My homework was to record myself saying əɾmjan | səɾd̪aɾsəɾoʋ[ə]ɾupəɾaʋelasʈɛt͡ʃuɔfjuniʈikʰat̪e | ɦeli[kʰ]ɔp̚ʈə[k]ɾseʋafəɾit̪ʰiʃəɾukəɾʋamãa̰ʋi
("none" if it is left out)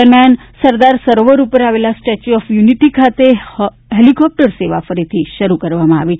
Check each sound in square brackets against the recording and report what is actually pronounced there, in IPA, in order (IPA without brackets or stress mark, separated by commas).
ə, k, none